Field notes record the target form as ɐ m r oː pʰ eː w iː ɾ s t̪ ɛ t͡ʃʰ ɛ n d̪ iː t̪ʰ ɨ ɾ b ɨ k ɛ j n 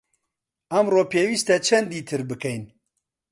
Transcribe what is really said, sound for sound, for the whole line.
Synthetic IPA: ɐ m r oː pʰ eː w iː s t̪ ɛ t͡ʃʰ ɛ n d̪ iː t̪ʰ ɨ ɾ b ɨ k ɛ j n